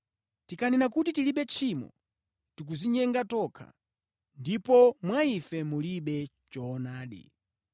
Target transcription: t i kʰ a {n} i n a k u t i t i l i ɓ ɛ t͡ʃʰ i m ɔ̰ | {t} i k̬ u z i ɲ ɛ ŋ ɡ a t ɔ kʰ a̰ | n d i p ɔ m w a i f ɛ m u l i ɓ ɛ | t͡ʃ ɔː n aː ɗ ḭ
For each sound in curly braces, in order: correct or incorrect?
correct, correct

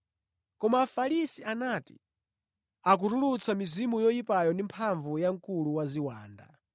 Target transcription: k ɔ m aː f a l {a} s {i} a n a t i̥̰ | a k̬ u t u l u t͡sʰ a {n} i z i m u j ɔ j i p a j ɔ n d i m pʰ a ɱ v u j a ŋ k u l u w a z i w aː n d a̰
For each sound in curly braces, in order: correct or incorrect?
incorrect: i, correct, incorrect: m

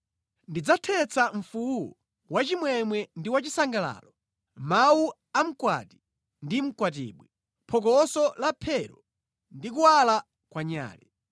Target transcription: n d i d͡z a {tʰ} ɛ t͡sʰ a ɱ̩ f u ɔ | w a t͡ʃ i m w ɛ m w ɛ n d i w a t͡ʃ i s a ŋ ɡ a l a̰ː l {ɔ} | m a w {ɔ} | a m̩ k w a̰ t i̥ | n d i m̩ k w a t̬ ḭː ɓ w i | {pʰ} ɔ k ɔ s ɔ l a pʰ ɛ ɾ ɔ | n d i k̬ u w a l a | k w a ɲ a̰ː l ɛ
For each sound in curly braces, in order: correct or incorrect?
correct, correct, incorrect: u, correct

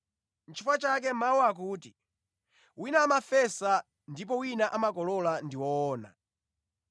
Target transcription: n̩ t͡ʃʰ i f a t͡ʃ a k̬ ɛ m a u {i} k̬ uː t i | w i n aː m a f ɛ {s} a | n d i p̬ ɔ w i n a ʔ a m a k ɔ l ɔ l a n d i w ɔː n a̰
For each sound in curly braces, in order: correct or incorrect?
incorrect: a, correct

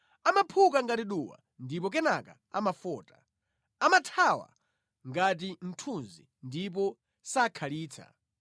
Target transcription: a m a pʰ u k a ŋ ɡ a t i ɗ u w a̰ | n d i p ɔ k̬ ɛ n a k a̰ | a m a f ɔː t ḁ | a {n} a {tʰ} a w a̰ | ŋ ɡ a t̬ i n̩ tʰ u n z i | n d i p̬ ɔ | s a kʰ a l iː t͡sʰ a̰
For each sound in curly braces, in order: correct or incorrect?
incorrect: m, correct

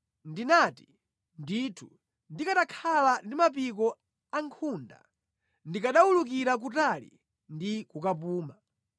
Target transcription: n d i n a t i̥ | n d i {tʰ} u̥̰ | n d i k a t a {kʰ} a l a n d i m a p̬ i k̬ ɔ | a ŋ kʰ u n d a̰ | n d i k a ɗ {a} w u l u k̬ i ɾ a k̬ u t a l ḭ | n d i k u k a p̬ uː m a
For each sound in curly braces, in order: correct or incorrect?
correct, correct, correct

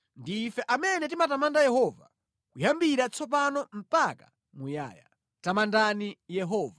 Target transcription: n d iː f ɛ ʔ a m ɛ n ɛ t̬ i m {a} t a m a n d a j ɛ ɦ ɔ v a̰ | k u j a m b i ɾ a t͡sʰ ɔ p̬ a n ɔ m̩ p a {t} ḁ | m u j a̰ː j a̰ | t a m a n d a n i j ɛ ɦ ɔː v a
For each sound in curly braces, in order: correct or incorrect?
correct, incorrect: k

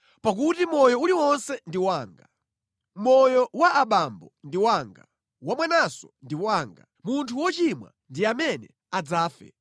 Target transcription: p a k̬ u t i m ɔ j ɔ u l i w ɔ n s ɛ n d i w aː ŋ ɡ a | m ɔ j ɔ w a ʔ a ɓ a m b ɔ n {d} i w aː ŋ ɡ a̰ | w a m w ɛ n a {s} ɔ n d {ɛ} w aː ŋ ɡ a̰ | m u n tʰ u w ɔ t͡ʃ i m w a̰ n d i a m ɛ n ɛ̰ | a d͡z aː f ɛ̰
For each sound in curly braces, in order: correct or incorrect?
correct, correct, incorrect: i

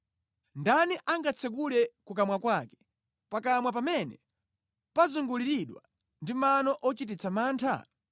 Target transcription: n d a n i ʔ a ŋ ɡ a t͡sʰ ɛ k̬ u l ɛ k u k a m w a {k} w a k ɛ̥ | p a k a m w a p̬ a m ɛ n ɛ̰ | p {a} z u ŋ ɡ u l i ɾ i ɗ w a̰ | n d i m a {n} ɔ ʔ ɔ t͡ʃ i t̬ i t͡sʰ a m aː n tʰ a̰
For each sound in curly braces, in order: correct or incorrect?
correct, correct, correct

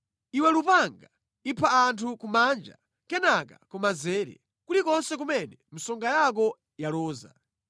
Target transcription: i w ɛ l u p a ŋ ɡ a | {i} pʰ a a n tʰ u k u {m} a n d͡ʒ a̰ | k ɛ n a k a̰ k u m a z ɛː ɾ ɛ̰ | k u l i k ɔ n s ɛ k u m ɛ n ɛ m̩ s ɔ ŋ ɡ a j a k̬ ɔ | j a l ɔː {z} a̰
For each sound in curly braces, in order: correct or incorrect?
correct, correct, correct

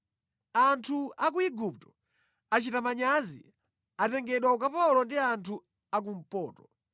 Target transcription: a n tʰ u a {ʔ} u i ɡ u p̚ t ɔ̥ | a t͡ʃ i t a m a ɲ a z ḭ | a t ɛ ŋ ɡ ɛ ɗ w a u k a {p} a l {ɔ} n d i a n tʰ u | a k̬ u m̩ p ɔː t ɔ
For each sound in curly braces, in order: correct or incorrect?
incorrect: k, correct, correct

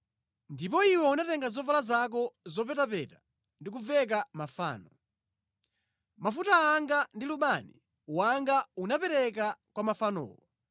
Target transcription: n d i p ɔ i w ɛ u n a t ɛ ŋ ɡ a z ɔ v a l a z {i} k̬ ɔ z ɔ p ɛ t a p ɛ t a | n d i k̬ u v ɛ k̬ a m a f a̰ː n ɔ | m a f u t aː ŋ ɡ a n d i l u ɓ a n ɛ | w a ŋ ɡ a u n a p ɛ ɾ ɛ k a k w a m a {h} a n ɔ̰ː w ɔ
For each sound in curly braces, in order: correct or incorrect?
incorrect: a, incorrect: f

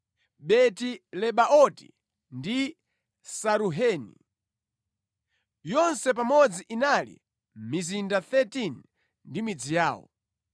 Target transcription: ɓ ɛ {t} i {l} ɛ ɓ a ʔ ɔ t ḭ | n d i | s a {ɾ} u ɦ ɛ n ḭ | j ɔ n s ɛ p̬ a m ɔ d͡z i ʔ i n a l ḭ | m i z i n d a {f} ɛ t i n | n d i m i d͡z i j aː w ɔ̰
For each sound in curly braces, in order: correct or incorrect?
correct, correct, correct, incorrect: θ

